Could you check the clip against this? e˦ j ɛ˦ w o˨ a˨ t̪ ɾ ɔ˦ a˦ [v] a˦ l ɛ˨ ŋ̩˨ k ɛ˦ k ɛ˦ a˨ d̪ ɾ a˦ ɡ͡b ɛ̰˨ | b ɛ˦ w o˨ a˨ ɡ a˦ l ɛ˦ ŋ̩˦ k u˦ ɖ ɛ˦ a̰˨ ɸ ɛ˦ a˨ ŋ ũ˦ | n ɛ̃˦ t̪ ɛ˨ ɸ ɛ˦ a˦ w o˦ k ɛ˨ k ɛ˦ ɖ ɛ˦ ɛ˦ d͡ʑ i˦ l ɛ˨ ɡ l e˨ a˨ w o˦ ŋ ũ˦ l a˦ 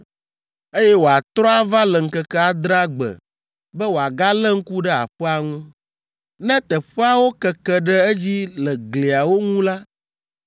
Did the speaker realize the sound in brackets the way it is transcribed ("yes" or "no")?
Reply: yes